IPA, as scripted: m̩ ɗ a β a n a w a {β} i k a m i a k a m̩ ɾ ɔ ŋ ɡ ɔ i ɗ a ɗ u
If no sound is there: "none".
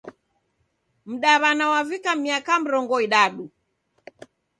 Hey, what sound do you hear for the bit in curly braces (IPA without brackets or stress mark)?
v